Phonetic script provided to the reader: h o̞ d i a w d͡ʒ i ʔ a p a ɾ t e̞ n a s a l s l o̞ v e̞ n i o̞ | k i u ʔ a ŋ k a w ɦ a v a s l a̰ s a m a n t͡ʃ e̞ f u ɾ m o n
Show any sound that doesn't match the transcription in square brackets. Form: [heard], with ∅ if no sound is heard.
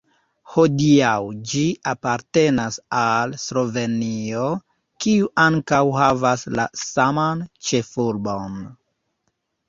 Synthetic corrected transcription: h o̞ d i a w d͡ʒ i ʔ a p a ɾ t e̞ n a s a l s l o̞ v e̞ n i o̞ | k i u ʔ a ŋ k a w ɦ a v a s l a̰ s a m a n t͡ʃ e̞ f u ɾ [b] o n